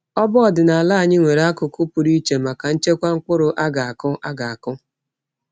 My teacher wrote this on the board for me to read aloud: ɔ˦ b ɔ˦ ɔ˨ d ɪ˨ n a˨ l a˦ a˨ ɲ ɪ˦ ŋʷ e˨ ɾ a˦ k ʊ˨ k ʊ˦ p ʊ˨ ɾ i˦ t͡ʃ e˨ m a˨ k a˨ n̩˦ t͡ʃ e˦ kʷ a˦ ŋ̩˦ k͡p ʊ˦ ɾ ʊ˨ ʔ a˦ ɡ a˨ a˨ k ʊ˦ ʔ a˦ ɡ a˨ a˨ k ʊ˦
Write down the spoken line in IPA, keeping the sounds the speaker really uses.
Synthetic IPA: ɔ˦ b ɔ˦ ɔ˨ d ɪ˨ n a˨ l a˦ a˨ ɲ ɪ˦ ŋʷ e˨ ɾ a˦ k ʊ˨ k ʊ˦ p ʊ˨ ɾ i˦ t͡ʃ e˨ m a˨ k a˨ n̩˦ t͡ʃ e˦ kʷ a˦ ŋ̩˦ k͡p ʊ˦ ɾ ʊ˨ ʔ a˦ ɡ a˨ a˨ k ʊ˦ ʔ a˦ ɡ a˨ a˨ k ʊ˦